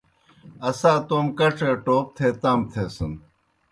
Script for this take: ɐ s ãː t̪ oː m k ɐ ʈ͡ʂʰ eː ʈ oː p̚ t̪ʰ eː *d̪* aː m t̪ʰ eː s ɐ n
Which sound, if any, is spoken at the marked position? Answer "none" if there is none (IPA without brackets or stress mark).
t̪